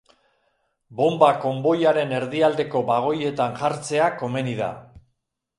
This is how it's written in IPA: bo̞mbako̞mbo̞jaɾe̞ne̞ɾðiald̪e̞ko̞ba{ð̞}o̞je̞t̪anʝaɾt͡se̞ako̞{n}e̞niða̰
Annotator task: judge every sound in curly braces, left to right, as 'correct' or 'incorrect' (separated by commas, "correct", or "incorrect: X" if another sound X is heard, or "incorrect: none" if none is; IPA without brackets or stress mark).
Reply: incorrect: ɣ̞, incorrect: m